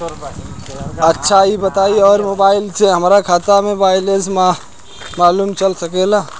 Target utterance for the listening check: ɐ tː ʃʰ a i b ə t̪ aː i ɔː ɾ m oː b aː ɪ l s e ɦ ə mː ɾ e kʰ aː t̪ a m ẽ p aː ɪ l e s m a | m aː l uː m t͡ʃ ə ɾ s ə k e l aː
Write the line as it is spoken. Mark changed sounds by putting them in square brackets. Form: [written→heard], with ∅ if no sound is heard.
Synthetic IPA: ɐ tː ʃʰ a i b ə t̪ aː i ɔː ɾ m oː b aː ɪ l s e ɦ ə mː ɾ [e→a] kʰ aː t̪ a m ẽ [p→b] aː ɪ l e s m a | m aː l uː m t͡ʃ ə [ɾ→l] s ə k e l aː